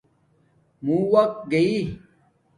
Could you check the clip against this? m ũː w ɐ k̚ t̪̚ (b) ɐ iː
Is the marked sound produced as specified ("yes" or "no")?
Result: no